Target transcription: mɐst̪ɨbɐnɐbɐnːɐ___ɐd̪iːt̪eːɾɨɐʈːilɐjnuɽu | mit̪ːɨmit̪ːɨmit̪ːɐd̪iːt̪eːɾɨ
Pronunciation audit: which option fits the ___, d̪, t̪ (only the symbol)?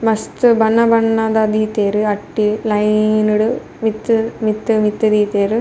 d̪